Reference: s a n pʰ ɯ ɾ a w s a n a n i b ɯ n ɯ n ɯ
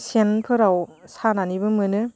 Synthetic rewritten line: s e n pʰ ɯ ɾ a w s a n a n i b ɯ m ɯ n ɯ